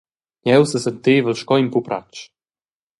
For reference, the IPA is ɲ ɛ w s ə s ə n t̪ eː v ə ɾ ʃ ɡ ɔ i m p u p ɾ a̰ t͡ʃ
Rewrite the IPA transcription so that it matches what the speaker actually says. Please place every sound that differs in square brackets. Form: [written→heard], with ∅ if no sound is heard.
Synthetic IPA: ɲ ɛ w s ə s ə n t̪ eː v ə [ɾ→l] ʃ [ɡ→k] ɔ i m p u p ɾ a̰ t͡ʃ